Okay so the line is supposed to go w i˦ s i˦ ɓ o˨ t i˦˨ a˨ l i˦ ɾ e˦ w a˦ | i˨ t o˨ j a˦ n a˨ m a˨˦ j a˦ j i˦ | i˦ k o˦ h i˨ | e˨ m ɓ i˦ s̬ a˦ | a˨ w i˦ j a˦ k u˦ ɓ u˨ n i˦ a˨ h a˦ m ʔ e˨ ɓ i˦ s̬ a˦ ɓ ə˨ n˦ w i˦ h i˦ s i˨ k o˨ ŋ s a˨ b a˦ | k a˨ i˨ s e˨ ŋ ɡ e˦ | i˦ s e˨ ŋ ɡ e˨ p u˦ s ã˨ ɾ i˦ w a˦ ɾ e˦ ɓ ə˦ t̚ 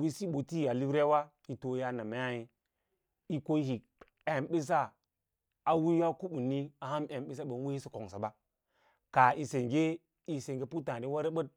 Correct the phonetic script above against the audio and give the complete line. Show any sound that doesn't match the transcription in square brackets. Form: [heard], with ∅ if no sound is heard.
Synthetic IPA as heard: w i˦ s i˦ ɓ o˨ t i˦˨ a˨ l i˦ ɾ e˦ w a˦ | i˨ t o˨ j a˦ n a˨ m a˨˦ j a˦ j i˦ | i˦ k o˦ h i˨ | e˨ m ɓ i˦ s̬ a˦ | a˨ w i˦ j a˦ k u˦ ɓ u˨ n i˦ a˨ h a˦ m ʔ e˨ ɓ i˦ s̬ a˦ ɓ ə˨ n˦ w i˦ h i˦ s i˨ k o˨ ŋ s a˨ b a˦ | k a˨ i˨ s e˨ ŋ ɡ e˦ | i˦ s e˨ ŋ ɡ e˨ p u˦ [t] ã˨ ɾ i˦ w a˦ ɾ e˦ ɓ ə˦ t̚